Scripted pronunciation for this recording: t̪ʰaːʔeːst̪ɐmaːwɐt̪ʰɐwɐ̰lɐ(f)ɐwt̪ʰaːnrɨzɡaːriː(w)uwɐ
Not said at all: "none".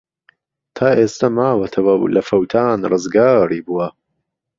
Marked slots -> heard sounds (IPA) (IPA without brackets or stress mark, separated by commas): f, b